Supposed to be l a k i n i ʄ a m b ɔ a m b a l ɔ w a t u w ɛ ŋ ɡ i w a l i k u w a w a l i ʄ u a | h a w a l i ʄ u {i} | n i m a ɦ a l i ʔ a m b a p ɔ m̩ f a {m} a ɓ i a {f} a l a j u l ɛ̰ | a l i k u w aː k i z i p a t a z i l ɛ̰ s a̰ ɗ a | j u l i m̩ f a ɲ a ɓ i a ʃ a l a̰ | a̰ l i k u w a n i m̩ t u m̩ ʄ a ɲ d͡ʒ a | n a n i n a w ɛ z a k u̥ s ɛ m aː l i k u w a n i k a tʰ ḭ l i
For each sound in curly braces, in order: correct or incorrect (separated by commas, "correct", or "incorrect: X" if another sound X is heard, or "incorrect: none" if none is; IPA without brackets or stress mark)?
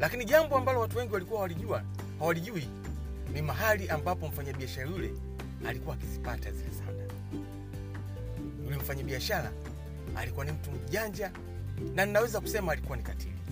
correct, incorrect: ɲ, incorrect: ʃ